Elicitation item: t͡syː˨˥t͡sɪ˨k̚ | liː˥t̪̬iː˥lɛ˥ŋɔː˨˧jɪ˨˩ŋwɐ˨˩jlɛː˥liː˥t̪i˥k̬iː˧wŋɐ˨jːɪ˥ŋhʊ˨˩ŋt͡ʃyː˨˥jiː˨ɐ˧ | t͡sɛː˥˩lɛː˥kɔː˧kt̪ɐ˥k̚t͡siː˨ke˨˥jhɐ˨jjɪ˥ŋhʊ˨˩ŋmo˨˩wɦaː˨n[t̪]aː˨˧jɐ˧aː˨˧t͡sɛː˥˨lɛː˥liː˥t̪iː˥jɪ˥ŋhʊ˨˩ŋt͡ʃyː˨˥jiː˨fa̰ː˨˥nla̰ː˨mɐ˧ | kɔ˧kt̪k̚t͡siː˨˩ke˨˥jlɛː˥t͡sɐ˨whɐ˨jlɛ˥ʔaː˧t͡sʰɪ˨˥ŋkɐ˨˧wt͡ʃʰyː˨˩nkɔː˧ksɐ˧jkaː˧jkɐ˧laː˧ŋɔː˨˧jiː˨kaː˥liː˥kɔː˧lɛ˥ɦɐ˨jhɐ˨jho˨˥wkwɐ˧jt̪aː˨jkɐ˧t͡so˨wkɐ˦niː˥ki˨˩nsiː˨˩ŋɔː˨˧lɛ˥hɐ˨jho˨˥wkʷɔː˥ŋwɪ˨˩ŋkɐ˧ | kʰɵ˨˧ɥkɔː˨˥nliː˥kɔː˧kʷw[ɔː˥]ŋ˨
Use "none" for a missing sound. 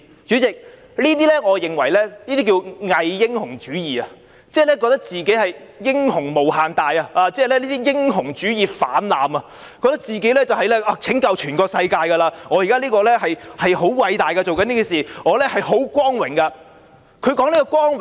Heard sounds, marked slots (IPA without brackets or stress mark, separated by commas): t̪, ɔː˥